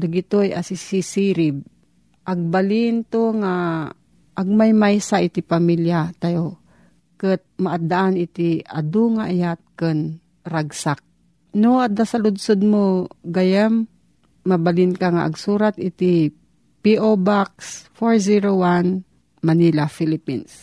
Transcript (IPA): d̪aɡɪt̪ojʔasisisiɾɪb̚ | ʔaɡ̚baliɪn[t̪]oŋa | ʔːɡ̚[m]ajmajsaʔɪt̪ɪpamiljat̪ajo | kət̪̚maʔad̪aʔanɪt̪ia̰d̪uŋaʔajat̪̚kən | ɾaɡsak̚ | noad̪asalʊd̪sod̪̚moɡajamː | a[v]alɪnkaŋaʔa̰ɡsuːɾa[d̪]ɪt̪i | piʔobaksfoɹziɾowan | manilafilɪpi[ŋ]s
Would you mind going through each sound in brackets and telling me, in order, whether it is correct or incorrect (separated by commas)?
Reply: correct, correct, incorrect, incorrect, incorrect